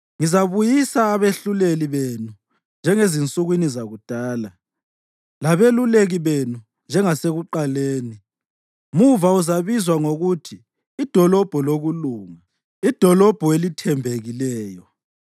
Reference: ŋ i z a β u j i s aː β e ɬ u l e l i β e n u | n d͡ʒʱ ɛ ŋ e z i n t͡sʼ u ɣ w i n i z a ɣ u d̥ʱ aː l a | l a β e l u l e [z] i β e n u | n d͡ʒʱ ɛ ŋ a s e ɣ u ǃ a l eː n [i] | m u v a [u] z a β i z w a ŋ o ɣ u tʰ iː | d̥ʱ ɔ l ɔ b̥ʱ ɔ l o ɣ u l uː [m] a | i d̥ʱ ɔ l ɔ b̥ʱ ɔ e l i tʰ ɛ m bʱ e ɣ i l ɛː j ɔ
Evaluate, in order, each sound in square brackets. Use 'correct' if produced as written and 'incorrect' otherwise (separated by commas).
incorrect, correct, correct, incorrect